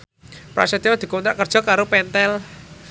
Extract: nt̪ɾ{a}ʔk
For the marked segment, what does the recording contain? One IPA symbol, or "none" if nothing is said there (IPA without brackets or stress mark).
a